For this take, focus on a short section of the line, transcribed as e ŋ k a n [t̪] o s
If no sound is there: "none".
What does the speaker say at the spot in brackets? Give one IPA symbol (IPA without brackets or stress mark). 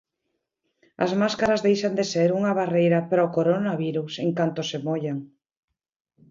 t̪